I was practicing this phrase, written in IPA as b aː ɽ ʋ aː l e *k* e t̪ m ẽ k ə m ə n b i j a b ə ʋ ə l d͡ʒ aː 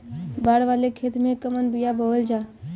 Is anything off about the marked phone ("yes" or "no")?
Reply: yes